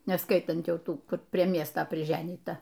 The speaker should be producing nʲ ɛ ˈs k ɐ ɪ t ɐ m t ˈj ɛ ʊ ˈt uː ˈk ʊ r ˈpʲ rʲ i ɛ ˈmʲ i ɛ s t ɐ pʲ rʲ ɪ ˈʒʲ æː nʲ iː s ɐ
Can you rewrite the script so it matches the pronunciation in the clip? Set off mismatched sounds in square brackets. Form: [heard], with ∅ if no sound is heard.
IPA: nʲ ɛ ˈs k ɐ ɪ t ɐ [n] t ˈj ɛ ʊ ˈt uː ˈk ʊ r ˈpʲ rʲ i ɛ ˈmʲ i ɛ s t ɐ pʲ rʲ ɪ ˈʒʲ æː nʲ iː [t] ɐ